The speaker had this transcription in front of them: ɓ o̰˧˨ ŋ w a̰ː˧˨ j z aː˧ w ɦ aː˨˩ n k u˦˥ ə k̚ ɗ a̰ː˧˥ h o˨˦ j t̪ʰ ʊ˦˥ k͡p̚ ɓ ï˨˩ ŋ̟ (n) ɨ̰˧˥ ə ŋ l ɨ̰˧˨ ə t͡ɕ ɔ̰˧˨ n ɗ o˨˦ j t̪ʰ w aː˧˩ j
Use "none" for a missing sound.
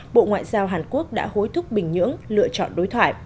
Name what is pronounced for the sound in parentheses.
ɲ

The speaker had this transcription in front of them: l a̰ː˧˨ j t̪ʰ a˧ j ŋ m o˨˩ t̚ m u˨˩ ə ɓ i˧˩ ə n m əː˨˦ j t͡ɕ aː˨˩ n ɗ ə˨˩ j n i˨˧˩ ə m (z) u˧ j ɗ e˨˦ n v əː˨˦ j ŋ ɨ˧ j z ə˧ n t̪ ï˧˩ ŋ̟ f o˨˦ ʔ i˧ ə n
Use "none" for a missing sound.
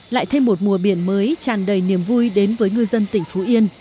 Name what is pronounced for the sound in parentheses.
v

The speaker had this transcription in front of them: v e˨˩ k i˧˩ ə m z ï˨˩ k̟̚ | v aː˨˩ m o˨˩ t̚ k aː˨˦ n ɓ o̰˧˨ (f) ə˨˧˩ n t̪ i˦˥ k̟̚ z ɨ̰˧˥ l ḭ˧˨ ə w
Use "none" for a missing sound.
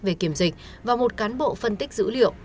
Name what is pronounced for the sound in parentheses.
f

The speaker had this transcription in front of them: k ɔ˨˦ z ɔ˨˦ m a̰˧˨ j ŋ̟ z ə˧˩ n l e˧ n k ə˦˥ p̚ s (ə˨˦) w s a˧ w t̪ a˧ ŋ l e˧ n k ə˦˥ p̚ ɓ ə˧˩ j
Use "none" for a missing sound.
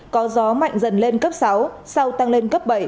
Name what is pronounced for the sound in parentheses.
a˨˦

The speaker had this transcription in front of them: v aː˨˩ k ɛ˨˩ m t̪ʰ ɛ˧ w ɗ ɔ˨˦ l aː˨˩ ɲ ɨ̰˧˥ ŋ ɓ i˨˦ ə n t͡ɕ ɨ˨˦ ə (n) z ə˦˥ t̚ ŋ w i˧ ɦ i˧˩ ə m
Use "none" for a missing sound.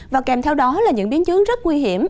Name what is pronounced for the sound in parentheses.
ŋ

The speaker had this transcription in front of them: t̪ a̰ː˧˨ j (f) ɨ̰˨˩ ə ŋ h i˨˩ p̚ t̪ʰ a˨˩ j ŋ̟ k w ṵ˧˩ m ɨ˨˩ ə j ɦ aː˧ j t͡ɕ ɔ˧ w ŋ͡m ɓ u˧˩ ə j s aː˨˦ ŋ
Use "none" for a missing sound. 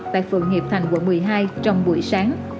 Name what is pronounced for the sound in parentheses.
f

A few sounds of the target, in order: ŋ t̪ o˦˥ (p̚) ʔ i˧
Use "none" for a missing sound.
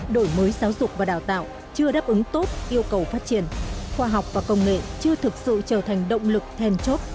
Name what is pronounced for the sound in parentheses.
t̚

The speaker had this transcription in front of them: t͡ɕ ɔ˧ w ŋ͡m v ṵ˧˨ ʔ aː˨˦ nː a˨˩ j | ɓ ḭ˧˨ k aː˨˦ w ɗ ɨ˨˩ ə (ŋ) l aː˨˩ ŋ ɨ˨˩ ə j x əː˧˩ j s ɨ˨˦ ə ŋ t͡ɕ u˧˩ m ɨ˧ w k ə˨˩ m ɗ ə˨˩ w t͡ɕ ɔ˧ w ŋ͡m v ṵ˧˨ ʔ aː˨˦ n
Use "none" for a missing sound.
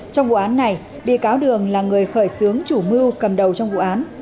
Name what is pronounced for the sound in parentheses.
ŋ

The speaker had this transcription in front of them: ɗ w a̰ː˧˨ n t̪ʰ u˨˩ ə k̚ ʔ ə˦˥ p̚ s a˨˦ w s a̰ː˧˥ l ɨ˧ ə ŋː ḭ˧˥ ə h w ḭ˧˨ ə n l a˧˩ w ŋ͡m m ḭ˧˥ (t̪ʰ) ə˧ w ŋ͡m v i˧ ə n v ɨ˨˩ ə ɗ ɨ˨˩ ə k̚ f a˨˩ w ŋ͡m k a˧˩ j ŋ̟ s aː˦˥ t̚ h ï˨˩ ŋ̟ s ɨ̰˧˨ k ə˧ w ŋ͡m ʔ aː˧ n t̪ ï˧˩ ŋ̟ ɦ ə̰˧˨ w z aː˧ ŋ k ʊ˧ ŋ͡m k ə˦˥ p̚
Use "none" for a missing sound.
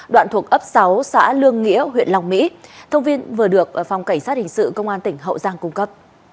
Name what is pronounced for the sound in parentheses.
t̪ʰ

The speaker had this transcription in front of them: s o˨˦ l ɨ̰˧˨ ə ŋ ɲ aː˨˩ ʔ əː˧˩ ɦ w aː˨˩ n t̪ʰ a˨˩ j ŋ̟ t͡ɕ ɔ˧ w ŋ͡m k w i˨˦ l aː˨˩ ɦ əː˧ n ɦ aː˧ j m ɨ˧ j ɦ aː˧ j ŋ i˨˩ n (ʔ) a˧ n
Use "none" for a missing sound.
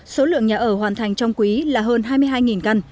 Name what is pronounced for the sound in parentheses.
k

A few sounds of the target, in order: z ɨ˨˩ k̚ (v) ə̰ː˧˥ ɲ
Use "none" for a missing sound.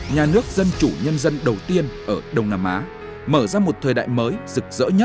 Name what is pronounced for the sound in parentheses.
z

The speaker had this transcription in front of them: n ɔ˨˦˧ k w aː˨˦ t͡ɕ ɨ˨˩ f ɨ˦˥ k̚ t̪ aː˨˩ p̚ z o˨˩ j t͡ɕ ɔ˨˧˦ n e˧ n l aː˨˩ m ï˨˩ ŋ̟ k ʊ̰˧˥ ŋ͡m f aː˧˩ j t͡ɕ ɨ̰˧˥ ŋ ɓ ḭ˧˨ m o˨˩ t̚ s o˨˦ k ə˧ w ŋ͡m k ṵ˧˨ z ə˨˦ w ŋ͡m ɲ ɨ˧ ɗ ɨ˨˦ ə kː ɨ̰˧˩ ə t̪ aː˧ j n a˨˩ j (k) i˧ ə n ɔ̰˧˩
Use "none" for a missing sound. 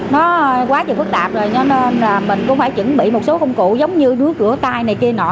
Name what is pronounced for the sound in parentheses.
k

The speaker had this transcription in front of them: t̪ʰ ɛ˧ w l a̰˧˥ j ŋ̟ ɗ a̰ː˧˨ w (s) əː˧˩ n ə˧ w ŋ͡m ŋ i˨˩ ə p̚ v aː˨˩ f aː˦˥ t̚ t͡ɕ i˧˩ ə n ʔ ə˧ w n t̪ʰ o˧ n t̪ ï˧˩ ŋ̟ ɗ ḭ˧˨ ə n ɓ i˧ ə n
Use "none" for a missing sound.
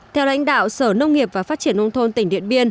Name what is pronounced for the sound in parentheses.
s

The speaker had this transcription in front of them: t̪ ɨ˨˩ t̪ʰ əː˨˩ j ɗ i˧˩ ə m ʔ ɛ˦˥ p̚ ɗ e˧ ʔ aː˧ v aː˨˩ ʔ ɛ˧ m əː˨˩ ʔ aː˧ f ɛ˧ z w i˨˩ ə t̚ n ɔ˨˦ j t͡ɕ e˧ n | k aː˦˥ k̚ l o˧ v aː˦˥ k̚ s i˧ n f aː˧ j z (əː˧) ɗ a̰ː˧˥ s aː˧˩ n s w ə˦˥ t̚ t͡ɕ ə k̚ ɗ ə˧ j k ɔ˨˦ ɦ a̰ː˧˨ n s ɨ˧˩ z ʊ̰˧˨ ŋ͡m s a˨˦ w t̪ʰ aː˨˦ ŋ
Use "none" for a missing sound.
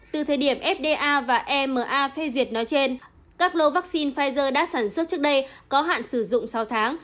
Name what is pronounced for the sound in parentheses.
əː˧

